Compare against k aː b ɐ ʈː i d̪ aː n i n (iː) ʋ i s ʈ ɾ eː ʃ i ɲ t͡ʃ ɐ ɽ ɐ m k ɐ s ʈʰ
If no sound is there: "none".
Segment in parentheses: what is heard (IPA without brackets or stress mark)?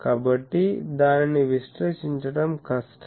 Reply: i